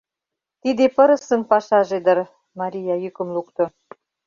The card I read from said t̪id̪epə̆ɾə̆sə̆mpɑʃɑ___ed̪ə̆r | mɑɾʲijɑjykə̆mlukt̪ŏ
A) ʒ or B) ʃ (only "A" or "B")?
A